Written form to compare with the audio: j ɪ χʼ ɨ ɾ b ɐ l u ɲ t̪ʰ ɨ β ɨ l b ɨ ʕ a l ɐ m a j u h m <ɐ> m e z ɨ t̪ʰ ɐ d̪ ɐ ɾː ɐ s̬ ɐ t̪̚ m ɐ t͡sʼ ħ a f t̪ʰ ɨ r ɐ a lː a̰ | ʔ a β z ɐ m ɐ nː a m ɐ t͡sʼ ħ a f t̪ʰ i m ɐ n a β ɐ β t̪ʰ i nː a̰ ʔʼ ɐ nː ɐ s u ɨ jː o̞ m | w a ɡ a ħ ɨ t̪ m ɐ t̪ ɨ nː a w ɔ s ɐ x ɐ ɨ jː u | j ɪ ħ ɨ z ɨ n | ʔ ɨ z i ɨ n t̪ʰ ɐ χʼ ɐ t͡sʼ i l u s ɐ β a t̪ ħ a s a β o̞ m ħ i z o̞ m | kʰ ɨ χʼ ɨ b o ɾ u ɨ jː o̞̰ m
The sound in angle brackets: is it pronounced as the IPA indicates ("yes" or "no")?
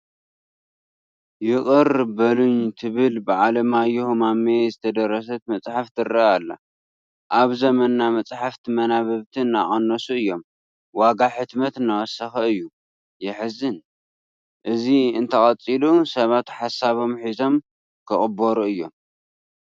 no